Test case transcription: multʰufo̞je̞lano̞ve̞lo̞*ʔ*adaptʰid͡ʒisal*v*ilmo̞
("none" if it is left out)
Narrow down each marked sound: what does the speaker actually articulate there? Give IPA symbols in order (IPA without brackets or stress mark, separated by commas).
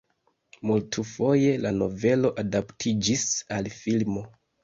ʔ, f